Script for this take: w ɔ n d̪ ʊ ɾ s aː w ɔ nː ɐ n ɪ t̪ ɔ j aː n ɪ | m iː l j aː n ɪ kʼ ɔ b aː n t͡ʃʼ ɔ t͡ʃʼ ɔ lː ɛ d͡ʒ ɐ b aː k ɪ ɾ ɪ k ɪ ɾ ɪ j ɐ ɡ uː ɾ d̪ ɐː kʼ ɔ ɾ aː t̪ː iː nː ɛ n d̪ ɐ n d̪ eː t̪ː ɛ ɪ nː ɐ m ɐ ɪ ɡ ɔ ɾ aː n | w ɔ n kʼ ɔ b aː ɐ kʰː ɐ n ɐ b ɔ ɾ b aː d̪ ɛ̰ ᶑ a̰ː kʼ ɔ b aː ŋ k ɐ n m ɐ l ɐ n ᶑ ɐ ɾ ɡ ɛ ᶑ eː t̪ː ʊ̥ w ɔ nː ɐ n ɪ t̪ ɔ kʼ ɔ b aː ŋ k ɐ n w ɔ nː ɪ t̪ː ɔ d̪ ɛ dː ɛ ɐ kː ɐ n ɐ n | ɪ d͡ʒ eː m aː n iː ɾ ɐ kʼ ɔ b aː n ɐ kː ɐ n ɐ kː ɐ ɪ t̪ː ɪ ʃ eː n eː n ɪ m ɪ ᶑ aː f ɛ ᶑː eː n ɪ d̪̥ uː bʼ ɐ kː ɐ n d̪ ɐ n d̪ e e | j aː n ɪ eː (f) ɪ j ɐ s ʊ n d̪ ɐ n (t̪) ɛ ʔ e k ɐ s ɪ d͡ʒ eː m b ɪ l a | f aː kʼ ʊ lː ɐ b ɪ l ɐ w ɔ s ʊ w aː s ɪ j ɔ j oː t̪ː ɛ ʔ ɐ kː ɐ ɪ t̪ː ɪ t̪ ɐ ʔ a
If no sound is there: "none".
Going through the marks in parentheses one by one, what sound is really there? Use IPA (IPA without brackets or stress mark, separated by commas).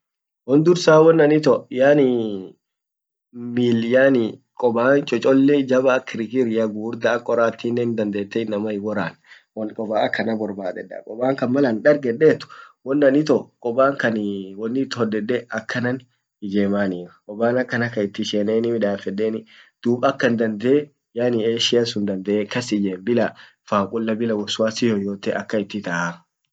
ʃ, d̪